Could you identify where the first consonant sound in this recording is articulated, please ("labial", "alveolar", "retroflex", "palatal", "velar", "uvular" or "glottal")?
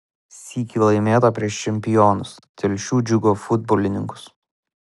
alveolar